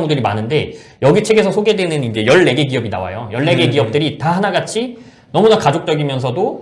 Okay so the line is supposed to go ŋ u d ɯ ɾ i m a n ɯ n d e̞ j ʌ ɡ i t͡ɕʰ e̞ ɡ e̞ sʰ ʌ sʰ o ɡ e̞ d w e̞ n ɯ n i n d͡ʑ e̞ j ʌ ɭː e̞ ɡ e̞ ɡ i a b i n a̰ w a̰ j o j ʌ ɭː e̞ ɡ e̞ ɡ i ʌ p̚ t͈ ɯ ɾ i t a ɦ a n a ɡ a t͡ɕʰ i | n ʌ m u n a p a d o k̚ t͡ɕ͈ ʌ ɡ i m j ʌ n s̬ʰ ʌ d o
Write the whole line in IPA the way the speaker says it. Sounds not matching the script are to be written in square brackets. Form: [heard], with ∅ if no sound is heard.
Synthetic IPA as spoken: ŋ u d ɯ ɾ i m a n ɯ n d e̞ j ʌ ɡ i t͡ɕʰ e̞ ɡ e̞ sʰ ʌ sʰ o ɡ e̞ d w e̞ n ɯ n i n d͡ʑ e̞ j ʌ ɭː e̞ ɡ e̞ ɡ i [ʌ] b i n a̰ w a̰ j o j ʌ ɭː e̞ ɡ e̞ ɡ i ʌ p̚ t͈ ɯ ɾ i t a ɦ a n a ɡ a t͡ɕʰ i | n ʌ m u n a [k] a [d͡ʑ] o k̚ t͡ɕ͈ ʌ ɡ i m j ʌ n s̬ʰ ʌ d o